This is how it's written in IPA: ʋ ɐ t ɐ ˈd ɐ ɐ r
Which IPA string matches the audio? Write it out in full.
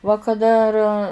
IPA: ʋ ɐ k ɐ ˈd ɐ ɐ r